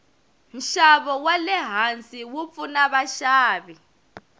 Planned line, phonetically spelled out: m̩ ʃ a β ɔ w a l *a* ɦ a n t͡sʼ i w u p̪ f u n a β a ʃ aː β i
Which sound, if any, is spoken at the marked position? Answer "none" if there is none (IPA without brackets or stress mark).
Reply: ɛ